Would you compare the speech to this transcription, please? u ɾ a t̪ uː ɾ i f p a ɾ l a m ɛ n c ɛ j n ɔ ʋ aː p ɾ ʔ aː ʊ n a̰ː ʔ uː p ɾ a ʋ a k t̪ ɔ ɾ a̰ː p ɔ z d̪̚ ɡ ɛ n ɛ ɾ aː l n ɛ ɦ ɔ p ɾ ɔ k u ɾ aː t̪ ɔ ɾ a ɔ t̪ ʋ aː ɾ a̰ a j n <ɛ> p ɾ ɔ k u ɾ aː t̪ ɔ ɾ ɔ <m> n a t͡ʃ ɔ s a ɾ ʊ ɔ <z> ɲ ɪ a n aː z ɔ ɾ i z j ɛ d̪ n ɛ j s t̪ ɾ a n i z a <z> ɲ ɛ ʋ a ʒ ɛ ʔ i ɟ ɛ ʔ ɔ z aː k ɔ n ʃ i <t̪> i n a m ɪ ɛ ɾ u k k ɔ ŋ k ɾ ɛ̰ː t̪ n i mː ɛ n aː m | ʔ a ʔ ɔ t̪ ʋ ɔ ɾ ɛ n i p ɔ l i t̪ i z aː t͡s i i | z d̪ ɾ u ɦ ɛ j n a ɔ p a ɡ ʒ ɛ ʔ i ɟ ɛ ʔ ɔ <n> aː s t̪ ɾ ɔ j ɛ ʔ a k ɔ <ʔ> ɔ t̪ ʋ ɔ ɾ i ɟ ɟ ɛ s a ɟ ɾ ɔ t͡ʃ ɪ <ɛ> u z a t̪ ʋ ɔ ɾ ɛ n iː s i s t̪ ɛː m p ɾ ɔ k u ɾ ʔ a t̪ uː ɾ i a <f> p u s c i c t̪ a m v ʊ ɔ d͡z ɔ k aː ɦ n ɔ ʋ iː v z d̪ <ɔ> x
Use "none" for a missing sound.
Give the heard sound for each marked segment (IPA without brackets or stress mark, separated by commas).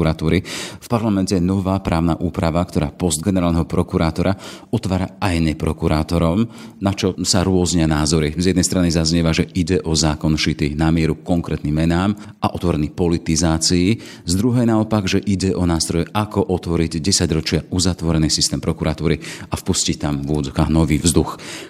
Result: ɛ, m, z, z, t̪, n, ʔ, a, f, u